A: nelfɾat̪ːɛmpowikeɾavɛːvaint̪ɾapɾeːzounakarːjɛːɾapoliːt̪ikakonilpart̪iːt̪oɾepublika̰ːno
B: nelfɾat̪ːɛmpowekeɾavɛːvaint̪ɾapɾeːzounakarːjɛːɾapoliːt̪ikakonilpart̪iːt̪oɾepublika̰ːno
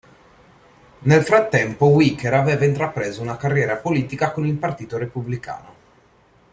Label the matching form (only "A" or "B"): A